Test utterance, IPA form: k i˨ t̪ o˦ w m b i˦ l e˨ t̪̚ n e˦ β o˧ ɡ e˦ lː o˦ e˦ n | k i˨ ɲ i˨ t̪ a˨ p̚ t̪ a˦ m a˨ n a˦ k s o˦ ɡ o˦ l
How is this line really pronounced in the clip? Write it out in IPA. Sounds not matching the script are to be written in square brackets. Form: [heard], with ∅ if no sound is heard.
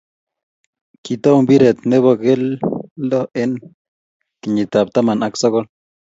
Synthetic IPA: k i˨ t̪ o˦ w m b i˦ [ɾ] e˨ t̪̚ n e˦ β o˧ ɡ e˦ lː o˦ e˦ n | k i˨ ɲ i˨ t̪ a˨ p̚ t̪ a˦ m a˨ n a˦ k s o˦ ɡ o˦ l